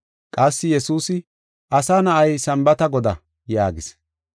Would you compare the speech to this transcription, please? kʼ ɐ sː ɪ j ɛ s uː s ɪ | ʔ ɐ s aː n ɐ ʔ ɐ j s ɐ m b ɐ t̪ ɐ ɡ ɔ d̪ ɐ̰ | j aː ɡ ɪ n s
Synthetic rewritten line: kʼ ɐ sː ɪ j ɛ s uː s ɪ | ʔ ɐ s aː n ɐ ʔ ɐ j s ɐ m b ɐ t̪ ɐ ɡ ɔ d̪ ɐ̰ | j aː ɡ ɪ s